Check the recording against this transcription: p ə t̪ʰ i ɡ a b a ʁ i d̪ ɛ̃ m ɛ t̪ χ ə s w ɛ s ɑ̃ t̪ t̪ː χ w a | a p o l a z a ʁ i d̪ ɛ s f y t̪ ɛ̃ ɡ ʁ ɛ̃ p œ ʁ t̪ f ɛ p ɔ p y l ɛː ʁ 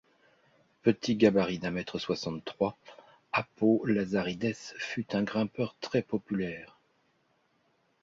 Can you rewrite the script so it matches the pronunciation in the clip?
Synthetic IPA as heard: p ə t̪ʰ i ɡ a b a ʁ i d̪ ɛ̃ m ɛ t̪ χ ə s w a s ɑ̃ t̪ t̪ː χ w a | a p o l a z a ʁ i d̪ ɛ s f y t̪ ɛ̃ ɡ ʁ ɛ̃ p œ ʁ t̪ χ ɛ p ɔ p y l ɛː ʁ